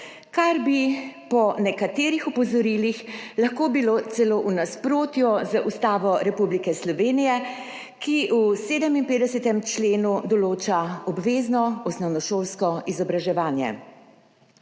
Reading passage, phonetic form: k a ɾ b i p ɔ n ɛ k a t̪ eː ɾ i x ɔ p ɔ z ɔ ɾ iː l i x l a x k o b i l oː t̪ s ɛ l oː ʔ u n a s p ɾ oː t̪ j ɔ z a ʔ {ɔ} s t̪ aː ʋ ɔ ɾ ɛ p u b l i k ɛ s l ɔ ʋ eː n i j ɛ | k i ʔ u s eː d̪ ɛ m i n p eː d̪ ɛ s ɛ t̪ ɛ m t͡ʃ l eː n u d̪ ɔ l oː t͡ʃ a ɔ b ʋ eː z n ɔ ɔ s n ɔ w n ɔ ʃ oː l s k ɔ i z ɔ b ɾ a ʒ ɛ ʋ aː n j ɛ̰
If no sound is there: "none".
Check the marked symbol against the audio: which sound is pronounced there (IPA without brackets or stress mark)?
u